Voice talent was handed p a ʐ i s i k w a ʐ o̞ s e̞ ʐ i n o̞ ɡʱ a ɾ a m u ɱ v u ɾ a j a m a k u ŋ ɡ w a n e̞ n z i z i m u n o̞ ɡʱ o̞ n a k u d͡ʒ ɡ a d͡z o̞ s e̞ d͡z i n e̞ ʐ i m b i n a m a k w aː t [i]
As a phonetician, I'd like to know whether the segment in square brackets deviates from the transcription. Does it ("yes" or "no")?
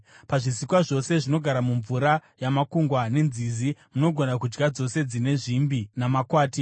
no